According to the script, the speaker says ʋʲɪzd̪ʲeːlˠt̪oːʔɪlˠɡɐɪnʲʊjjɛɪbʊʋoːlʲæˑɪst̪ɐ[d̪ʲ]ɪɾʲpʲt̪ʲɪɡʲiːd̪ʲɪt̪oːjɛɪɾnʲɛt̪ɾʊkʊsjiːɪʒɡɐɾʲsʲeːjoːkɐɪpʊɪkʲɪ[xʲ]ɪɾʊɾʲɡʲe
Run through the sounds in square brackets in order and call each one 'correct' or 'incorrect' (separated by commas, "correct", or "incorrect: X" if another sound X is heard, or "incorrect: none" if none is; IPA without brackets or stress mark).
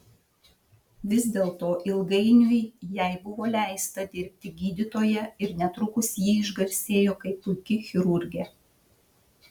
correct, correct